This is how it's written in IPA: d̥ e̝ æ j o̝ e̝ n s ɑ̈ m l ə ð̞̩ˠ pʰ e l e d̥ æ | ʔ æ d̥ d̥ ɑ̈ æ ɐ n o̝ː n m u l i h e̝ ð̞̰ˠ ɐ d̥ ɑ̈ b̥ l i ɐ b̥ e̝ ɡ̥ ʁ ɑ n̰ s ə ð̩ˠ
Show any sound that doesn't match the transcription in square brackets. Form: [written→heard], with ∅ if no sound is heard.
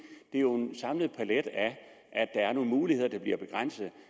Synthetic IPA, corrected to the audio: d̥ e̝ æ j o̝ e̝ n s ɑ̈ m l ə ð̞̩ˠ pʰ [e→æ] l e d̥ æ | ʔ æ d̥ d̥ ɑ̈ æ ɐ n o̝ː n m [u→uː] l i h e̝ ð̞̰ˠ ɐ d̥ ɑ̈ b̥ l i ɐ b̥ e̝ ɡ̥ ʁ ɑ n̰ s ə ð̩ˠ

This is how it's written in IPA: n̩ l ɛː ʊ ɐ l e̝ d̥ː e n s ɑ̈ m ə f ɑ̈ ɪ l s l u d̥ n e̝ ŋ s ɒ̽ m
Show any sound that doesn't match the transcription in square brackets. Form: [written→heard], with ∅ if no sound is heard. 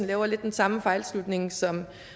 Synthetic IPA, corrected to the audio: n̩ l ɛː ʊ ɐ l e̝ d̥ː e n s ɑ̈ m ə f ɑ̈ ɪ l s l u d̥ n e̝ ŋ s ɒ̽ m

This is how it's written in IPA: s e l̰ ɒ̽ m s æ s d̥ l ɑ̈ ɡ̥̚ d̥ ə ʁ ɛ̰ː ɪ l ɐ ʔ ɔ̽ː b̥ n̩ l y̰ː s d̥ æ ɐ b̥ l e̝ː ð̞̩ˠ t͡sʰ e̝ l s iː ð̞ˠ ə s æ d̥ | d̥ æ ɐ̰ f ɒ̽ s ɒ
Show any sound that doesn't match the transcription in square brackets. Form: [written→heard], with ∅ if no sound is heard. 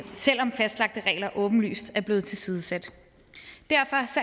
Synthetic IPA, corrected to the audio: s e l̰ ɒ̽ m [s→f] æ s d̥ l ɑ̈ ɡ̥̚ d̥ ə ʁ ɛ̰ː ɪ l ɐ ʔ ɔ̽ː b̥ n̩ l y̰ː s d̥ æ ɐ b̥ l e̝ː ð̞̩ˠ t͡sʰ e̝ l s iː ð̞ˠ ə s æ d̥ | d̥ æ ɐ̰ f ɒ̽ s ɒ

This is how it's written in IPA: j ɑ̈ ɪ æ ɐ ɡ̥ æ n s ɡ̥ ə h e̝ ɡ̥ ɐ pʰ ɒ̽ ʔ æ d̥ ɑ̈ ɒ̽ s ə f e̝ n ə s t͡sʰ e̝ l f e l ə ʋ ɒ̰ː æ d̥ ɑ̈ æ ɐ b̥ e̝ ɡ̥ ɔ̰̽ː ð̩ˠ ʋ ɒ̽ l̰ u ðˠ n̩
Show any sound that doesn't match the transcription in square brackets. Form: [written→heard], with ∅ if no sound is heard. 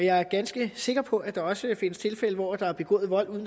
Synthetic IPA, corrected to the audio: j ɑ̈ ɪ æ ɐ ɡ̥ æ n s ɡ̥ ə [h→s] e̝ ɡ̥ ɐ pʰ ɒ̽ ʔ æ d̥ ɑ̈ ɒ̽ s ə f e̝ n ə s t͡sʰ e̝ l f e l ə ʋ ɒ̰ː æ d̥ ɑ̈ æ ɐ b̥ e̝ ɡ̥ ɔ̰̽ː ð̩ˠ ʋ ɒ̽ l̰ u ðˠ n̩

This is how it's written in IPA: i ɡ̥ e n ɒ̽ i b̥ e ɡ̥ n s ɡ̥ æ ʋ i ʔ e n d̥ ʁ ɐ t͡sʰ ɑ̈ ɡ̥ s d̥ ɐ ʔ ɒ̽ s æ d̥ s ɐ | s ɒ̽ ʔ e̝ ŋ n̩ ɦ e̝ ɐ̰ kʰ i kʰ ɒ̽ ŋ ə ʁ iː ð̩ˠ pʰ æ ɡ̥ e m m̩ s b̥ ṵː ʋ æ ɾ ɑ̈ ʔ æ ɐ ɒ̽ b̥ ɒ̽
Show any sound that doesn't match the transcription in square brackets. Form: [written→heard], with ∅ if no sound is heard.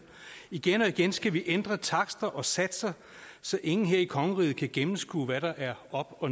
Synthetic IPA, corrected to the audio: i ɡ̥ e n ɒ̽ i [b̥→ɡ̥] e [ɡ̥→∅] n s ɡ̥ æ ʋ i ʔ e n d̥ ʁ ɐ t͡sʰ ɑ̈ ɡ̥ s d̥ ɐ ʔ ɒ̽ s æ d̥ s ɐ | s ɒ̽ ʔ e̝ ŋ n̩ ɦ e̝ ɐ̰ [kʰ→∅] i kʰ ɒ̽ ŋ ə ʁ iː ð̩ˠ [pʰ→kʰ] æ ɡ̥ e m m̩ s [b̥→ɡ̥] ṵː ʋ æ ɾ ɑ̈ ʔ æ ɐ ɒ̽ b̥ ɒ̽

